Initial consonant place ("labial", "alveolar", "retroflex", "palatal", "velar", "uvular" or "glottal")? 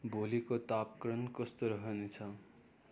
labial